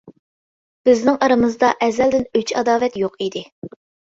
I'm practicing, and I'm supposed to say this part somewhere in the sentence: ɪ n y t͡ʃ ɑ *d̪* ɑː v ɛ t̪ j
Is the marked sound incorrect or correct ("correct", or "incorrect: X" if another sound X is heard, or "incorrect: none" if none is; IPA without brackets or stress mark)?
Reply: correct